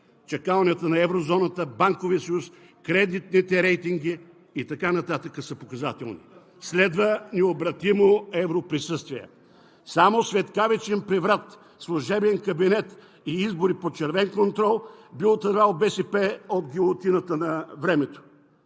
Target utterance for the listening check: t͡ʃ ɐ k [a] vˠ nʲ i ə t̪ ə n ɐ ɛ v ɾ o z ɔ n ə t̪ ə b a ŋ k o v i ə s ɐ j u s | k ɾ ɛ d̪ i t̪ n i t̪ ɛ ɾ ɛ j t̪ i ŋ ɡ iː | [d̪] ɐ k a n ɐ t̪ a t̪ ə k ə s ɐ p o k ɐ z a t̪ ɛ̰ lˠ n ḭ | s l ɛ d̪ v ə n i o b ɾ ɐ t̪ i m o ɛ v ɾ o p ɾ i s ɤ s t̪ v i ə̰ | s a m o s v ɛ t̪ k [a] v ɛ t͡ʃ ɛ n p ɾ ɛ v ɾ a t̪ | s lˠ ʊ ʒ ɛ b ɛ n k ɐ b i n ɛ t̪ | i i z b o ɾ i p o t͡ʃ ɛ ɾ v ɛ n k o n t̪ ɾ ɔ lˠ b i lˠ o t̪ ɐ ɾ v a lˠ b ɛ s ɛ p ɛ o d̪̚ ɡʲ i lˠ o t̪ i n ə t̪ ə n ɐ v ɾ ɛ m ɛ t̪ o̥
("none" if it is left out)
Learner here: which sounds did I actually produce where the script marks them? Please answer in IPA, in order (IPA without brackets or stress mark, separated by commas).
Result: a, t̪, a